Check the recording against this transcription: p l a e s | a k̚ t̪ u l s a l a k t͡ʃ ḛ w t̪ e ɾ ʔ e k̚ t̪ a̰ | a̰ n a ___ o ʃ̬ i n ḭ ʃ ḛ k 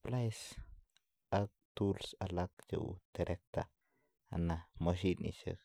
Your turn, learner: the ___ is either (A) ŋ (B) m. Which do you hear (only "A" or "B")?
B